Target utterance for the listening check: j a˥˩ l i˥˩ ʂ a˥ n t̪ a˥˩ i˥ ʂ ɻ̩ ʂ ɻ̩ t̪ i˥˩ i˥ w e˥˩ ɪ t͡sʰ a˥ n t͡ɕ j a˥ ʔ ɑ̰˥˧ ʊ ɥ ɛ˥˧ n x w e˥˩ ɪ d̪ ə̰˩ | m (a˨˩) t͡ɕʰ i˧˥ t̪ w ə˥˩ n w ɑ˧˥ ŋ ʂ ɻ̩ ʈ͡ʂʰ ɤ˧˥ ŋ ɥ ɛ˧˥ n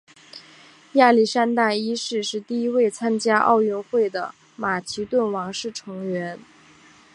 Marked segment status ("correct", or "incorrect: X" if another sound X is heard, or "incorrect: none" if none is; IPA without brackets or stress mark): correct